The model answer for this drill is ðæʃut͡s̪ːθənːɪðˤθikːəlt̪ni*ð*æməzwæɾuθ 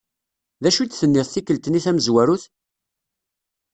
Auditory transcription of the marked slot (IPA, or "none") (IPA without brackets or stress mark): θ